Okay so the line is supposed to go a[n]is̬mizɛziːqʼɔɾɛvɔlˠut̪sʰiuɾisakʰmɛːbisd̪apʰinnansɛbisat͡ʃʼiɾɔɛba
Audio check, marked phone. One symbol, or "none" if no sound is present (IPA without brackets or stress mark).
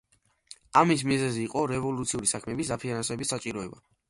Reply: m